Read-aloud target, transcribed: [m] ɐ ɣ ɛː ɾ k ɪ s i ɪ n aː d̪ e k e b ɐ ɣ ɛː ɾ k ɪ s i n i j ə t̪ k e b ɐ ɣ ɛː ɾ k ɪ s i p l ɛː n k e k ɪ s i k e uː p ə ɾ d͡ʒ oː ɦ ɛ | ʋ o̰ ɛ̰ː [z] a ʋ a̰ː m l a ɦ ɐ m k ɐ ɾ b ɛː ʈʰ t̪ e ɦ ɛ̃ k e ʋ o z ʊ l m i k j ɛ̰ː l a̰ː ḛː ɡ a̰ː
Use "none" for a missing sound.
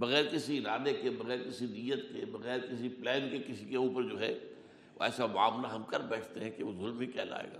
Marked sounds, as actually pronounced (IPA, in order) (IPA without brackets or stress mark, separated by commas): b, s